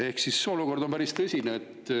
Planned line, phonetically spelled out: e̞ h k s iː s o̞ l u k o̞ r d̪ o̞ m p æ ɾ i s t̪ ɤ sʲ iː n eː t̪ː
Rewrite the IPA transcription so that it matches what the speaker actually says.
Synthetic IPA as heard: e̞ h k s i s o̞ l u k o̞ r d̪ o̞ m p æ ɾ i s t̪ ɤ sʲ i n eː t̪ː